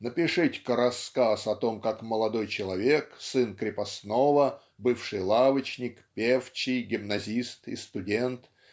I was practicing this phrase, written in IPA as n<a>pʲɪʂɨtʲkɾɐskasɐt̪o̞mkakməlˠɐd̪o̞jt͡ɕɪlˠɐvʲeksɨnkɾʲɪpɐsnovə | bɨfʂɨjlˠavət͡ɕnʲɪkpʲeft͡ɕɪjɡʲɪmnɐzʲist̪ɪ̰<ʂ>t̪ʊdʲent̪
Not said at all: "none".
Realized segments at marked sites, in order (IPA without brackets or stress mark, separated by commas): ə, s